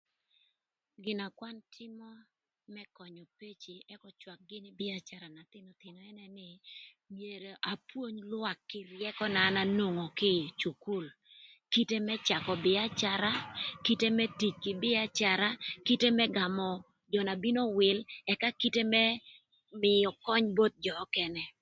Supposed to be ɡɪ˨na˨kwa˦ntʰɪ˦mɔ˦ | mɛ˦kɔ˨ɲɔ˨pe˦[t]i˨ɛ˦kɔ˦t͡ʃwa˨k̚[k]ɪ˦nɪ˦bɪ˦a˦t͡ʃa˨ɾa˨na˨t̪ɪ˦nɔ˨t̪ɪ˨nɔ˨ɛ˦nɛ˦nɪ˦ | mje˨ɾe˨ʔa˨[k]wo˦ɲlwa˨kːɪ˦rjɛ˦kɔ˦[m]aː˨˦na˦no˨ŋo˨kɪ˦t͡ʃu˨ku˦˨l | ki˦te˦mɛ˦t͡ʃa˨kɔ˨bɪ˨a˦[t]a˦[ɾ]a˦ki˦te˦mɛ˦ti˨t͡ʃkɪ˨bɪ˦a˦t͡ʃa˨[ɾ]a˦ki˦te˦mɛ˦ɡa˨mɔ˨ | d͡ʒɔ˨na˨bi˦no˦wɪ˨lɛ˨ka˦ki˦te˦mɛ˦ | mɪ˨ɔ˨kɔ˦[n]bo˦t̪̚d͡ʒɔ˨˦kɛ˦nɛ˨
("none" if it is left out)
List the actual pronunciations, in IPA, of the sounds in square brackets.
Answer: t͡ʃ, ɡ, p, n, t͡ʃ, ɾ, ɾ, ɲ

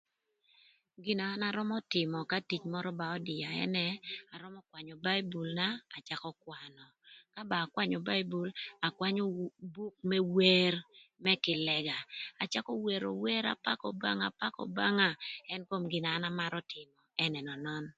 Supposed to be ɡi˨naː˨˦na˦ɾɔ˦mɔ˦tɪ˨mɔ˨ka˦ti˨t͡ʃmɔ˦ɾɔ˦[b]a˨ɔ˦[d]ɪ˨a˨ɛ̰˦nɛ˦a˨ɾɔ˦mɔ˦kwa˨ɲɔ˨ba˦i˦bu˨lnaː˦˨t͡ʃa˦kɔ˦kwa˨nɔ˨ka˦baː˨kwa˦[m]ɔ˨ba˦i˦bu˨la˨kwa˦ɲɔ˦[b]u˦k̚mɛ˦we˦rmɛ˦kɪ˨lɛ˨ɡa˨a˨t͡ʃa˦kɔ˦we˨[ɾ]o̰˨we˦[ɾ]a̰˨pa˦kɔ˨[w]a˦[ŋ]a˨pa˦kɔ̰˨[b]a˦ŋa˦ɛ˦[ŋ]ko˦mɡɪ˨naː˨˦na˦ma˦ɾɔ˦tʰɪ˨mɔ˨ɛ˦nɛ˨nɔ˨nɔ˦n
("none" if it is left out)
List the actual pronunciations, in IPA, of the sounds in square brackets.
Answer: b, d, ɲ, b, ɾ, ɾ, b, ŋ, b, n

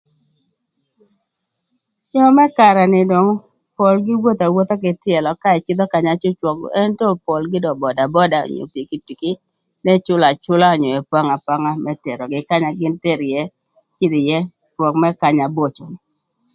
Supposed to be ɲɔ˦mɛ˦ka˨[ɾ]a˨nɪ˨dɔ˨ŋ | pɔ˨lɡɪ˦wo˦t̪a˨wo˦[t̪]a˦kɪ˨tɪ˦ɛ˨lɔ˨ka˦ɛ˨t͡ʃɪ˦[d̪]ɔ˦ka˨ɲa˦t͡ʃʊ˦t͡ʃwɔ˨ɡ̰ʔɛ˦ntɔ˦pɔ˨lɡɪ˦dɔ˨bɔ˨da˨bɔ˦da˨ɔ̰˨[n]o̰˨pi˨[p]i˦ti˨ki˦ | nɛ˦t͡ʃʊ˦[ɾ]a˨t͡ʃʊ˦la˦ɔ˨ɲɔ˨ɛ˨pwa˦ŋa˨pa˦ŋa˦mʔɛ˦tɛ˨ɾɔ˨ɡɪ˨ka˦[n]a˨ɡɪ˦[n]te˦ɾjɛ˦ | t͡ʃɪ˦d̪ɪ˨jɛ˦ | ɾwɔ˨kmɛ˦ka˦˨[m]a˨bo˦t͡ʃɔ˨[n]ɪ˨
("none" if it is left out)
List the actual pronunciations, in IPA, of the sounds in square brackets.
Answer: ɾ, t̪, d̪, ɲ, k, l, ɲ, n, ɲ, n

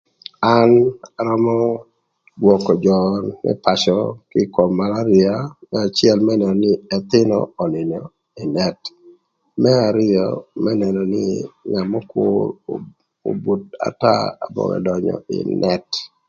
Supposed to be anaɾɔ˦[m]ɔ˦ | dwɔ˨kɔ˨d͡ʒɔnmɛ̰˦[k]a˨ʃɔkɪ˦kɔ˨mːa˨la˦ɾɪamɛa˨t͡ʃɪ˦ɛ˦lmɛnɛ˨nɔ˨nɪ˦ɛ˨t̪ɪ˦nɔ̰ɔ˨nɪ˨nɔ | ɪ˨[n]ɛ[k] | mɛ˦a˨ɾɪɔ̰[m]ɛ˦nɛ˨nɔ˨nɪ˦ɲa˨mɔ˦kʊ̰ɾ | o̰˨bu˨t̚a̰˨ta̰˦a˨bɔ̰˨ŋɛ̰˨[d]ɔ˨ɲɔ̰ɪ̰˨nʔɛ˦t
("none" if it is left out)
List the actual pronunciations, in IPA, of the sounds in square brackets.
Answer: m, p, n, t, m, d

